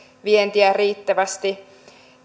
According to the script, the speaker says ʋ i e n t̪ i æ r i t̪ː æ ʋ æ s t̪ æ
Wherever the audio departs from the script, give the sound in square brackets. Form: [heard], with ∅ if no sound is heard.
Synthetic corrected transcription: ʋ i e n t̪ i æ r [iː] t̪ː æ ʋ æ s t̪ [i]